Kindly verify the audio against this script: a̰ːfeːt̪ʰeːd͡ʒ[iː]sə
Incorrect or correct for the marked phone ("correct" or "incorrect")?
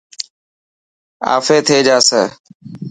incorrect